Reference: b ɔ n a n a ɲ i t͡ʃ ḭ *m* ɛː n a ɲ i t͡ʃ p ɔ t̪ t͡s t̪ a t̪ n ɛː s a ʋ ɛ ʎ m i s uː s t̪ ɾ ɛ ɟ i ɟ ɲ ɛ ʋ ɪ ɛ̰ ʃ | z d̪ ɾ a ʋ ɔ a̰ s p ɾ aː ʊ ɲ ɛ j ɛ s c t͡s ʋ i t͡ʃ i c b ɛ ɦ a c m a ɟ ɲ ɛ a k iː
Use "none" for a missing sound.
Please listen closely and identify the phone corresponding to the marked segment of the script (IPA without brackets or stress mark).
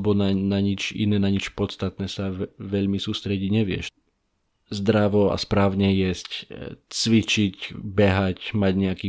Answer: n